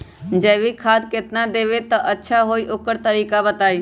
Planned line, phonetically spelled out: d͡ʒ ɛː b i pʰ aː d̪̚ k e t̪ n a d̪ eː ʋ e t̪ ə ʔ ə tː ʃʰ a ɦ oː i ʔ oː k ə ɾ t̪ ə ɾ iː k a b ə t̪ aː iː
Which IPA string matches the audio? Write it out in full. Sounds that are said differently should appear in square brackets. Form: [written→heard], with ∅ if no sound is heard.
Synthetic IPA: d͡ʒ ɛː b i [pʰ→kʰ] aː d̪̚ k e t̪ n a d̪ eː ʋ e t̪ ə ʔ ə tː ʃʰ a ɦ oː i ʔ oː k ə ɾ t̪ ə ɾ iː k a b ə t̪ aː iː